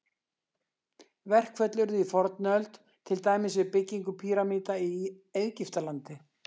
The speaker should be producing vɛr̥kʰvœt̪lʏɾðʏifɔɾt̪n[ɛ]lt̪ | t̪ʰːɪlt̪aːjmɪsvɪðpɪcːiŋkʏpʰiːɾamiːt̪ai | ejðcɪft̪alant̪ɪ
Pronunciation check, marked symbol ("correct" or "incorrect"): incorrect